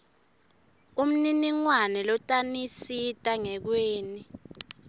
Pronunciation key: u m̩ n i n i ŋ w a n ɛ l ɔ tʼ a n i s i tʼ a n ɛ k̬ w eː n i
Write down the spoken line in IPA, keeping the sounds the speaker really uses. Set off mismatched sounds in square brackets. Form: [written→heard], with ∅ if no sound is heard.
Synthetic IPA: u m̩ n i n i ŋ w a n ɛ l ɔ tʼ a n i s i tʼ a [n→ŋ] ɛ k̬ w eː n i